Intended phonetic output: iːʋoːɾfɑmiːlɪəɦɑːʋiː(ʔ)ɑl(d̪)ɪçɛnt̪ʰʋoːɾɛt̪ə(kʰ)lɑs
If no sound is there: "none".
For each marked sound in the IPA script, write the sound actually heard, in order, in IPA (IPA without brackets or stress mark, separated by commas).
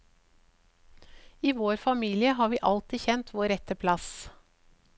ʔ, t̪, pʰ